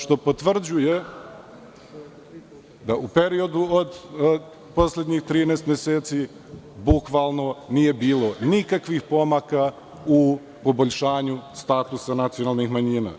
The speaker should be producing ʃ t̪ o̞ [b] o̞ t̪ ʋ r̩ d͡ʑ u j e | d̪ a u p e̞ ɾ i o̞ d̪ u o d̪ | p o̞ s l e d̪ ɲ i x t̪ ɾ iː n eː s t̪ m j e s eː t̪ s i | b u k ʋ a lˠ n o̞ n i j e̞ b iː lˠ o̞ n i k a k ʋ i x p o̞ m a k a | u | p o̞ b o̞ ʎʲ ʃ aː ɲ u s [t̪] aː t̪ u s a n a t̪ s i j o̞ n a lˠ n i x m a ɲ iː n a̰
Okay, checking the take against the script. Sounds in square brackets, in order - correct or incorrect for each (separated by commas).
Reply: incorrect, correct